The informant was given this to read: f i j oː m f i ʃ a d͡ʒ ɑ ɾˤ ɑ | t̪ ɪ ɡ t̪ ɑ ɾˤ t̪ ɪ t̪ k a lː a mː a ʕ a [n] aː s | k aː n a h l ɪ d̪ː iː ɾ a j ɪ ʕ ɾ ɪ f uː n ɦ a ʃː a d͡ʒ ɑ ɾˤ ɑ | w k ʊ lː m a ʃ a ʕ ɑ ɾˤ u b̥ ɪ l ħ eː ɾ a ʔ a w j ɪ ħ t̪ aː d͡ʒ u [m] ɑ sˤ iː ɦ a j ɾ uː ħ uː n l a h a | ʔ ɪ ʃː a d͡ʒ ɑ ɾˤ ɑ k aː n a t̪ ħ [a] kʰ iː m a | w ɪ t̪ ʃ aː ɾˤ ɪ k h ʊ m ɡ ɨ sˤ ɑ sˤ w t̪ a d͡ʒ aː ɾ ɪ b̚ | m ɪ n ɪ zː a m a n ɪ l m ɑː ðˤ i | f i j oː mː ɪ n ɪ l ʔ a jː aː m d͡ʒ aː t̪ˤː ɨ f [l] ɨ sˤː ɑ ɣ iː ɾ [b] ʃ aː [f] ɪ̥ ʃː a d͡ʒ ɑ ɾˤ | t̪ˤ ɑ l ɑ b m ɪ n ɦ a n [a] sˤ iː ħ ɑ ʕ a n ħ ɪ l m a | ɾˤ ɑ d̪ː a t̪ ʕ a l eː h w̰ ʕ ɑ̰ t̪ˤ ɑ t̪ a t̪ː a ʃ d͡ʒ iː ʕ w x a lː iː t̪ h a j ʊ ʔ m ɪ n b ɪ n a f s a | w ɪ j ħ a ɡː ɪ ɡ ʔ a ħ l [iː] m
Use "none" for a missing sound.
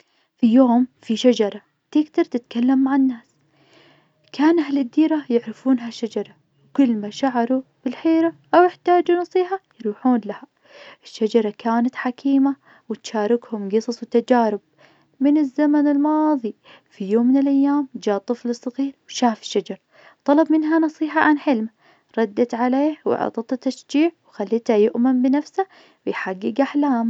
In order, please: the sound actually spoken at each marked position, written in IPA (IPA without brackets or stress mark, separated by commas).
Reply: nː, n, a, l, w, f, ɑ, aː